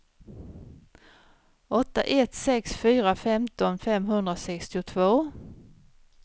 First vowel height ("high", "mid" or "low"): mid